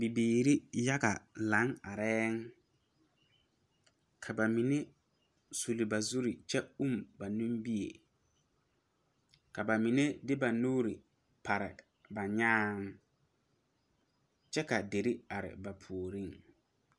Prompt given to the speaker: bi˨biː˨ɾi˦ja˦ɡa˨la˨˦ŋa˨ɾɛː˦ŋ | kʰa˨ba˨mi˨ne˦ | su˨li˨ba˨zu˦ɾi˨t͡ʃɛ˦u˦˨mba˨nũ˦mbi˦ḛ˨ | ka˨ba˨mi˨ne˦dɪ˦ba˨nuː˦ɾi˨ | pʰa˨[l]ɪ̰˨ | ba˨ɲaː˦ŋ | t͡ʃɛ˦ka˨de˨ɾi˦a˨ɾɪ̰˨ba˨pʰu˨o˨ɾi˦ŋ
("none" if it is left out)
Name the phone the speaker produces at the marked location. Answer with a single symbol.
ɾ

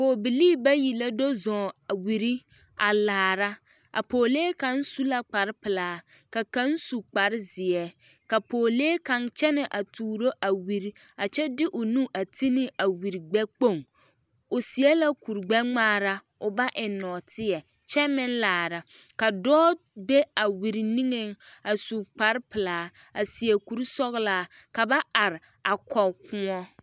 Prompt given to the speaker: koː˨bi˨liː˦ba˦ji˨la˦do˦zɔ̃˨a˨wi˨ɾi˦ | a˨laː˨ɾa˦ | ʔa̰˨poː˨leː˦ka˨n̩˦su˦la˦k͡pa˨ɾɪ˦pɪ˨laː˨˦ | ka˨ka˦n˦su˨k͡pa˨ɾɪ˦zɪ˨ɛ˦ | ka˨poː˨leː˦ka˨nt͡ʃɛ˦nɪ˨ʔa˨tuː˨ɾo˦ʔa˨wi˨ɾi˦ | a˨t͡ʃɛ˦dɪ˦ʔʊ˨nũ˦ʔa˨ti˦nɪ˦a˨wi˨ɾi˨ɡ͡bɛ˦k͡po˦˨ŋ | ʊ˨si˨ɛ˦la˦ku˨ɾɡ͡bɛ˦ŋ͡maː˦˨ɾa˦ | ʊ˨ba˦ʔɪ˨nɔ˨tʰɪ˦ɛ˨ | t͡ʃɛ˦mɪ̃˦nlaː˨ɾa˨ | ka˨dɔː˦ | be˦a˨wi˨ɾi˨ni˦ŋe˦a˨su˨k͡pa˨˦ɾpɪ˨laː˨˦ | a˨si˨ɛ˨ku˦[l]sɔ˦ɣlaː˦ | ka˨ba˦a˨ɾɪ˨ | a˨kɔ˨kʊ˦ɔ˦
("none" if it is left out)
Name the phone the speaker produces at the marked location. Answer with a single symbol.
ɾ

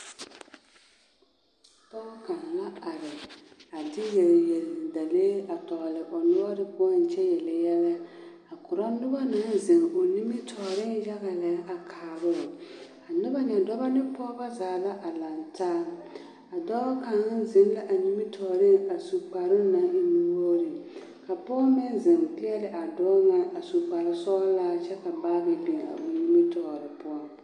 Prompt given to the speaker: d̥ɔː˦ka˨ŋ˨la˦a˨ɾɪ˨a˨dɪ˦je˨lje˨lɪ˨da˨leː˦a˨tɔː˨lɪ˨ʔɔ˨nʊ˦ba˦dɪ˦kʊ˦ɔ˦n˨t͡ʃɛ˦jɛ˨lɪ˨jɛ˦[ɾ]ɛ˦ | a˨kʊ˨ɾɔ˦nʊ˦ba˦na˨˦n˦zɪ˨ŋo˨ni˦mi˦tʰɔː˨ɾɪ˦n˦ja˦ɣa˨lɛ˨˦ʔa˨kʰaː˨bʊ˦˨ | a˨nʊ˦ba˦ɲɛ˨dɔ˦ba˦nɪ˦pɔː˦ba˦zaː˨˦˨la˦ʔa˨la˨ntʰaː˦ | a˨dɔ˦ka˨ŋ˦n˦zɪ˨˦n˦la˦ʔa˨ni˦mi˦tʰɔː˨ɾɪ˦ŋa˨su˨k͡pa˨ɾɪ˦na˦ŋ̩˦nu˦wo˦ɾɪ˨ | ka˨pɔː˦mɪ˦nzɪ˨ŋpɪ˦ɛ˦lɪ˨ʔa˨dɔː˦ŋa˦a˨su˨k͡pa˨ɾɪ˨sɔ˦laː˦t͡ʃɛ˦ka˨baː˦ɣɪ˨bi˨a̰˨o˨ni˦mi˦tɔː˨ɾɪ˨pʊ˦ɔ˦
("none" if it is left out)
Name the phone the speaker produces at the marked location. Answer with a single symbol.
l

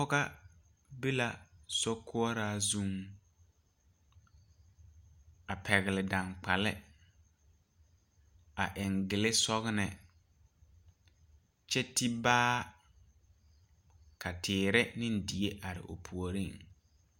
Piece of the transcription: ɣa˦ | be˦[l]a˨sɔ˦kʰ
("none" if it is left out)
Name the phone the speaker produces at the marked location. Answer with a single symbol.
l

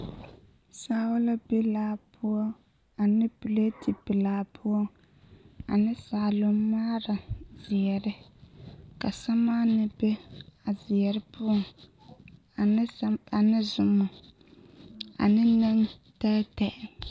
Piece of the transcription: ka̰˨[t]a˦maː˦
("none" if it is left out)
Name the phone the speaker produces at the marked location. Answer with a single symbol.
s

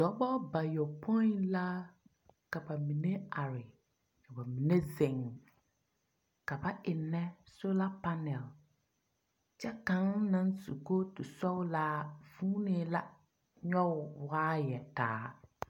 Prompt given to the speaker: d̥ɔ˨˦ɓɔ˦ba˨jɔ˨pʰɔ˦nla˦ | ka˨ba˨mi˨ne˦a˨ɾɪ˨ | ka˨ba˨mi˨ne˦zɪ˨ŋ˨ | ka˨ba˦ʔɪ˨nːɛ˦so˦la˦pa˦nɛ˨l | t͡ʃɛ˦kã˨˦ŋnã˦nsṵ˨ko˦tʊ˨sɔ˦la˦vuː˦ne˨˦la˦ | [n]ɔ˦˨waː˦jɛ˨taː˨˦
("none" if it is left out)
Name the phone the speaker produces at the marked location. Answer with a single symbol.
ɲ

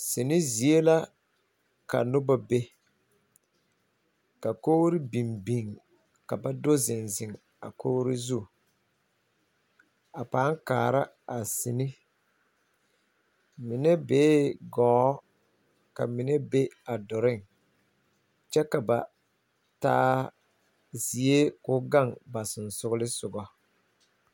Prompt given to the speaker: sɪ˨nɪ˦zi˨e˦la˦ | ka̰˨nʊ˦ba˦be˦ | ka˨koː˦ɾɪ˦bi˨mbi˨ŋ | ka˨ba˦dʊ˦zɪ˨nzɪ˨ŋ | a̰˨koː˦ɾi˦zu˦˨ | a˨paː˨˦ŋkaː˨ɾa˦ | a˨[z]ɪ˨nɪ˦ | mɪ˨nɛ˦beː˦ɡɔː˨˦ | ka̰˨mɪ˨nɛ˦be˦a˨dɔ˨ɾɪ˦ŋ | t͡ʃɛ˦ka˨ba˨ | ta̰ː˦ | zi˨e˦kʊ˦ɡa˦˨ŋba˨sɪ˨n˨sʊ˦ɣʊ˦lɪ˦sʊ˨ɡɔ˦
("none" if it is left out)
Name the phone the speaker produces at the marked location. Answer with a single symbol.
s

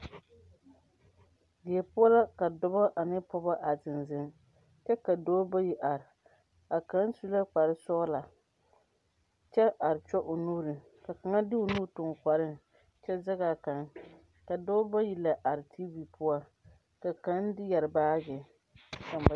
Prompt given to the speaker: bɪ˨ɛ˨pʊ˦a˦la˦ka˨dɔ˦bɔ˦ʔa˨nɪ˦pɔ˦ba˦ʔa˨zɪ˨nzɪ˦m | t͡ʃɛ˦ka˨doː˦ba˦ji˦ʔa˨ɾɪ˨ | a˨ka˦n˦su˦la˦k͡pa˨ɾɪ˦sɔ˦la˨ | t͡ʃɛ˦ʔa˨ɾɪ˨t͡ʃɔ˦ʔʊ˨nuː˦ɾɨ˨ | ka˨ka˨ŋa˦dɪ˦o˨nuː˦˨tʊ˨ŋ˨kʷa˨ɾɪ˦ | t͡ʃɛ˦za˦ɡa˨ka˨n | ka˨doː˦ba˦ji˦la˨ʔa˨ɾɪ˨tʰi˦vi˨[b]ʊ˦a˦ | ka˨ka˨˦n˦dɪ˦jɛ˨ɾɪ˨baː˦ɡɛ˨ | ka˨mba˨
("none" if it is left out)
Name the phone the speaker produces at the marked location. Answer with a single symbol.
p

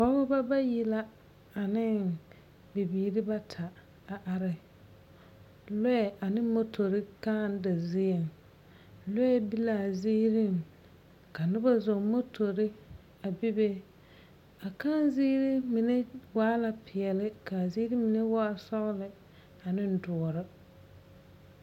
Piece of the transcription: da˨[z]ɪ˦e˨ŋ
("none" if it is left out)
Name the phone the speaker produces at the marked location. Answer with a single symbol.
z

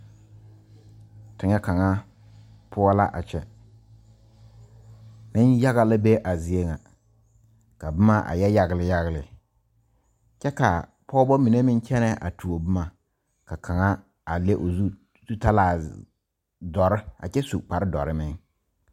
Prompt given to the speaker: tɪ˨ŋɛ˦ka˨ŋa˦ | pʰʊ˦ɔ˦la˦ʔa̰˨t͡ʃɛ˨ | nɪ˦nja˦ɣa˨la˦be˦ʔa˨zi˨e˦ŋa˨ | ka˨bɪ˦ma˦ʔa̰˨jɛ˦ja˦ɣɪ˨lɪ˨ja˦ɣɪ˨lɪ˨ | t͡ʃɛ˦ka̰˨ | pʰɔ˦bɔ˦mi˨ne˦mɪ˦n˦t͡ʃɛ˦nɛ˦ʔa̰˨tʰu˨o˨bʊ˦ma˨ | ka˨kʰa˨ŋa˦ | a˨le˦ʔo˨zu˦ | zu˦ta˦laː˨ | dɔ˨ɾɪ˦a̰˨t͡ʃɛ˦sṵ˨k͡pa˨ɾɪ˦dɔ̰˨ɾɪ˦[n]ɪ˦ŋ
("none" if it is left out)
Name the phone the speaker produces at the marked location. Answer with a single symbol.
m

